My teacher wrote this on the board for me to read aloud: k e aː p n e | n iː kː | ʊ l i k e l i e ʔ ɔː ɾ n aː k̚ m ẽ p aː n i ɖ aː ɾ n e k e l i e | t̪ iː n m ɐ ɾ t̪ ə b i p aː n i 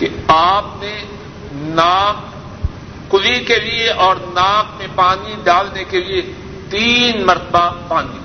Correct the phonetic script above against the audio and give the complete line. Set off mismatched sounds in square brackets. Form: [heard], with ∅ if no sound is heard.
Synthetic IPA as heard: k e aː p n e | n [aː] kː | ʊ l i k e l i e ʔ ɔː ɾ n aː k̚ m ẽ p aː n i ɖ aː [l] n e k e l i e | t̪ iː n m ɐ ɾ t̪ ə b [a] p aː n i